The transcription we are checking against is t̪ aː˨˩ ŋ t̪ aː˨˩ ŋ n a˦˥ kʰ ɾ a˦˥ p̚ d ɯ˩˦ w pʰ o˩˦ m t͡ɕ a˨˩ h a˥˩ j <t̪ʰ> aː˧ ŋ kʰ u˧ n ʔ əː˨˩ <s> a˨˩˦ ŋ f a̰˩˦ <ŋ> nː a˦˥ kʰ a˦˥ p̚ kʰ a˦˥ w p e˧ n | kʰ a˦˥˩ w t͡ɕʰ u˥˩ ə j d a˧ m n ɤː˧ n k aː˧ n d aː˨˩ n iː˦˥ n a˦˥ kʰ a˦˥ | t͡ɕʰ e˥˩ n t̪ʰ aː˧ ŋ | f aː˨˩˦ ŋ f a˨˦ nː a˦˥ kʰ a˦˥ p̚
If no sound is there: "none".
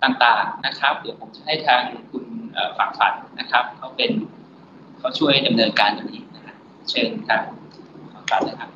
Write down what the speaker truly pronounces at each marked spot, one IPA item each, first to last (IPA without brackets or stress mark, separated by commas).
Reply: t̪ʰ, f, none